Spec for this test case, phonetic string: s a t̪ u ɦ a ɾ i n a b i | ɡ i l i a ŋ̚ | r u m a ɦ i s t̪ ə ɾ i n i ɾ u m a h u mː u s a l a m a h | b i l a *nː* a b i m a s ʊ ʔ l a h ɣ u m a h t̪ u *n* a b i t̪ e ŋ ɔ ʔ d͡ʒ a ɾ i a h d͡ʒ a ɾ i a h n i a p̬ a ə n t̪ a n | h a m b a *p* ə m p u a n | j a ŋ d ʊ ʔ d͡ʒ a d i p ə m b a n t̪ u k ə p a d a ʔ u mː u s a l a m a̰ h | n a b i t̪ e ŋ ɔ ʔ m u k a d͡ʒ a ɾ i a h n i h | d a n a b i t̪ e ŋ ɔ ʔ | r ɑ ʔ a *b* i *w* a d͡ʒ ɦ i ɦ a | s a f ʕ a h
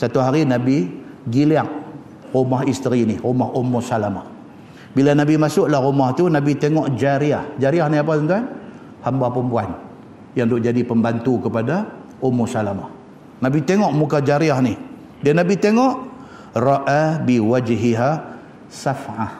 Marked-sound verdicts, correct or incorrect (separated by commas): incorrect, correct, correct, correct, correct